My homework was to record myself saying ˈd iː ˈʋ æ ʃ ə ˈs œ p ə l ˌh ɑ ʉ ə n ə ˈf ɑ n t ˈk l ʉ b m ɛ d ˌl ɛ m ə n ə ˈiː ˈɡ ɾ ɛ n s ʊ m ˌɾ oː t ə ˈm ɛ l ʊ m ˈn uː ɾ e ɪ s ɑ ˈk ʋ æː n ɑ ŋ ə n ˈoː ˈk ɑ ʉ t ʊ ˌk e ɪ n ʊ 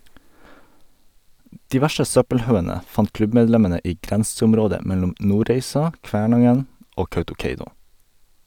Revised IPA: ˈd iː ˈʋ æ ʃ ə ˈs œ p ə l ˌh ɑ ʉ ə n ə ˈf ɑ n t ˈk l ʉ b m ɛ d ˌl ɛ m ə n ə ˈiː ˈɡ ɾ ɛ n s ʊ m ˌɾ oː d ə ˈm ɛ l ʊ m ˈn uː ɾ e ɪ s ɑ ˈk ʋ æː ɳ ɑ ŋ ə n ˈoː ˈk ɑ ʉ t ʊ ˌk e ɪ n ʊ

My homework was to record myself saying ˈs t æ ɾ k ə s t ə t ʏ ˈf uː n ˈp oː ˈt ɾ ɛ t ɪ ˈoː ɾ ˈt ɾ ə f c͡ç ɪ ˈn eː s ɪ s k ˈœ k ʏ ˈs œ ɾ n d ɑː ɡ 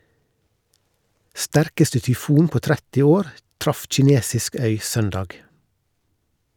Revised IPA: ˈs t æ ɾ k ə s t ə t ʏ ˈf uː n ˈp oː ˈt ɾ ɛ t ɪ ˈoː ɾ ˈt ɾ ɑ f c͡ç ɪ ˈn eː s ɪ s k ˈœ ʏ ˈs œ n d ɑː ɡ

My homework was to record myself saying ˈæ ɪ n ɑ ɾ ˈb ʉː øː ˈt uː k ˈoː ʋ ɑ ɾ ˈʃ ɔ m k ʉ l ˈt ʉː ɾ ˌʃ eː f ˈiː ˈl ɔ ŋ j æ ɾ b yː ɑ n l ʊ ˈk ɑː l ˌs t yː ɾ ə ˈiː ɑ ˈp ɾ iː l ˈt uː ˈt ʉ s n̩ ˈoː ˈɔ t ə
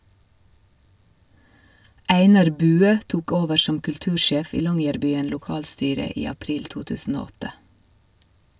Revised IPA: ˈæ ɪ n ɑ ɾ ˈb ʉː øː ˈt uː k ˈoː ʋ ə ɾ ˈʃ ɔ m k ʉ l ˈt ʉː ɾ ˌʃ eː f ˈiː ˈl ɔ ŋ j æ ɾ b yː ə n l ʊ ˈk ɑː l ˌs t yː ɾ ə ˈiː ɑ ˈp ɾ iː l ˈt uː ˈt ʉː s n̩ ˈoː ˈɔ t ə

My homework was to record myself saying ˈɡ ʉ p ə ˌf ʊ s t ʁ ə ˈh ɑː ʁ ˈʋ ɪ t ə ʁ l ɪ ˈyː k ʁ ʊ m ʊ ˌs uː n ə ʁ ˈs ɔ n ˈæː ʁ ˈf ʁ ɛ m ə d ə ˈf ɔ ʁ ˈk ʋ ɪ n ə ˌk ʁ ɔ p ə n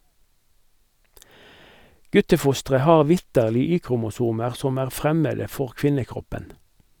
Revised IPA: ˈɡ ʉ t ə ˌf ʊ s t ʁ ə ˈh ɑː ʁ ˈʋ ɪ t ə ʁ l ɪ ˈyː k ʁ ʊ m ʊ ˌs uː m ə ʁ ˈs ɔ m ˈæː ʁ ˈf ʁ ɛ m ə d ə ˈf ɔ ʁ ˈk ʋ ɪ n ə ˌk ʁ ɔ p ə n

